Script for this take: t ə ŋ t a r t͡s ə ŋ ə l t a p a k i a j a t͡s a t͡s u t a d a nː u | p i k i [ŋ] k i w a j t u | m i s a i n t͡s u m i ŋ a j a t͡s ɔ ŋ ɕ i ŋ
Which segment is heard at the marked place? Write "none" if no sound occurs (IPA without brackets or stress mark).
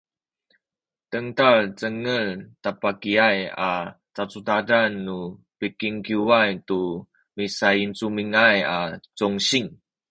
ŋ